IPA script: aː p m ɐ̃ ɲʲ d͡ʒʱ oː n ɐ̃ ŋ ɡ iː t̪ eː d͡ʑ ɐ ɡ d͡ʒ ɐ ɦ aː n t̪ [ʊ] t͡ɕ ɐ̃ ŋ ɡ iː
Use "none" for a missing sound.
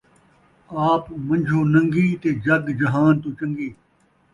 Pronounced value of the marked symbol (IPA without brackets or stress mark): u